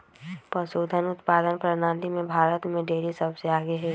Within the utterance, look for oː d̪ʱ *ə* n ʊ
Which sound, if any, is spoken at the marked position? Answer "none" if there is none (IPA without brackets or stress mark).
ə